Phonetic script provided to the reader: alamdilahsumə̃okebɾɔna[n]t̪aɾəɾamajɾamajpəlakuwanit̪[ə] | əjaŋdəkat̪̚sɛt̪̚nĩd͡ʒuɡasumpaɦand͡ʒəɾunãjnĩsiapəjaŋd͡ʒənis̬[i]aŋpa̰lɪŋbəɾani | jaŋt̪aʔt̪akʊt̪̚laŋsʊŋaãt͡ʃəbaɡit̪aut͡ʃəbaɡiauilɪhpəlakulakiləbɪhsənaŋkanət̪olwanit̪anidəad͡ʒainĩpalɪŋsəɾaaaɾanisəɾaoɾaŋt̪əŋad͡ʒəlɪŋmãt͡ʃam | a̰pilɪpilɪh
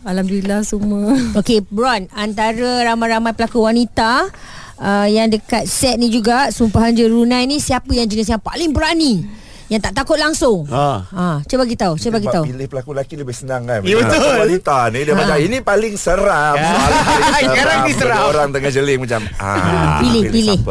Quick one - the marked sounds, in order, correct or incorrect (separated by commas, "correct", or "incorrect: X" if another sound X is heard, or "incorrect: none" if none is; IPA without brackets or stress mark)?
correct, incorrect: a, incorrect: j